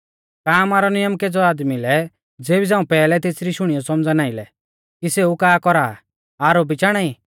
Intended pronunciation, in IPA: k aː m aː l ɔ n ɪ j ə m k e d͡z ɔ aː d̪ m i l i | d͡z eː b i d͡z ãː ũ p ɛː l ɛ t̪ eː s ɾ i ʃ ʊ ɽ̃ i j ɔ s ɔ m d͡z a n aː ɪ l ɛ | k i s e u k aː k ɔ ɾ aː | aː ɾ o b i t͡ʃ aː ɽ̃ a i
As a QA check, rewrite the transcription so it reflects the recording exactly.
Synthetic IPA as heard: k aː m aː ɾ ɔ n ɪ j ə m k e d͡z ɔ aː d̪ m i l ɛ | d͡z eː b i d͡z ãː ũ p ɛː l ɛ t̪ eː s ɾ i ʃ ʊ ɽ̃ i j ɔ s ɔ m d͡z a n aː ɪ l ɛ | k i s e u k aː k ɔ ɾ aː | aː ɾ o b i t͡ʃ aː ɽ̃ a i